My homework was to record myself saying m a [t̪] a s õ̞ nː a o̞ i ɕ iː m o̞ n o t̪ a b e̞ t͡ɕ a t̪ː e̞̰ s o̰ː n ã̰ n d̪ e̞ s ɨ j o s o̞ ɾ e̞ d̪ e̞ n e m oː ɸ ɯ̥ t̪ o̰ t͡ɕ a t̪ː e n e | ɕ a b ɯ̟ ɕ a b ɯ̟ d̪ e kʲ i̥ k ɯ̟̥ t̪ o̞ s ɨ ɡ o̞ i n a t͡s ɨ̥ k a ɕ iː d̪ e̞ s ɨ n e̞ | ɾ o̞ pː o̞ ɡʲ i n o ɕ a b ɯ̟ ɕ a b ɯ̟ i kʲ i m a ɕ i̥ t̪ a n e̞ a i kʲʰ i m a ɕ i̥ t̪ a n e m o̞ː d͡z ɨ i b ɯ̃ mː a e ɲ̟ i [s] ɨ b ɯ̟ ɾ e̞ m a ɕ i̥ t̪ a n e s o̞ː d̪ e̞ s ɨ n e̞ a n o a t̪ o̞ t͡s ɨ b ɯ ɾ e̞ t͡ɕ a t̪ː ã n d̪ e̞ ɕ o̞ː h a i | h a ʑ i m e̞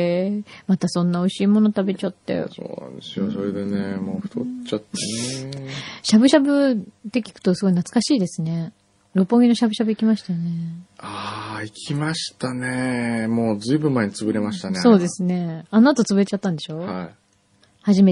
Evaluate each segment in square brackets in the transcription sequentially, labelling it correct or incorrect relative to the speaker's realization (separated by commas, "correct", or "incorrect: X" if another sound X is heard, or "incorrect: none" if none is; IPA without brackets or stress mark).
correct, incorrect: t͡s